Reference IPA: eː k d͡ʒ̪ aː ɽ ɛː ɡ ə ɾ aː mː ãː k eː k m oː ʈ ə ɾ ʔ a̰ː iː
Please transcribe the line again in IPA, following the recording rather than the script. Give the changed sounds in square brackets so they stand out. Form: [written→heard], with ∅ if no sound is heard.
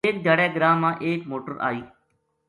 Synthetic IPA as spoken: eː k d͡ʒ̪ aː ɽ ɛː ɡ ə ɾ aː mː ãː [k→ʔ] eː k m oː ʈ ə ɾ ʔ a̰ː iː